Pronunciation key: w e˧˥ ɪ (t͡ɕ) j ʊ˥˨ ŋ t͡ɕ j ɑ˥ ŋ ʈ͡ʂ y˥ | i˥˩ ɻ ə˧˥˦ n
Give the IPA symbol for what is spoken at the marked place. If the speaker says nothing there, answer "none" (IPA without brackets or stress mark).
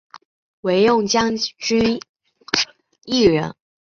none